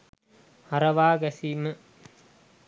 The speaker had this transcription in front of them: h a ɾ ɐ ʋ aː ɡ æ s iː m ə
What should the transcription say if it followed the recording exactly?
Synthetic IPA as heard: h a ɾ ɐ ʋ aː ɡ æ s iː m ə

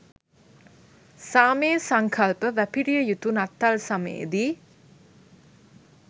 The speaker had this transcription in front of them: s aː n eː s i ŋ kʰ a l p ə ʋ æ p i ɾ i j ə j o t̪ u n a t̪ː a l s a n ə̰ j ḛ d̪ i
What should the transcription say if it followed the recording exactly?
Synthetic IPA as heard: s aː m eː s a ŋ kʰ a l p ə ʋ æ p i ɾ i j ə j u t̪ u n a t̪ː a l s a m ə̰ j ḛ d̪ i

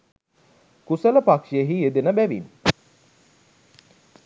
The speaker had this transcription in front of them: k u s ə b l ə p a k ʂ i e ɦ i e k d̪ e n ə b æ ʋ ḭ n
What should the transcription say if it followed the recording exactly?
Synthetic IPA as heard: k u s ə l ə p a k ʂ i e ɦ i e d̪ e n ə b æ ʋ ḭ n

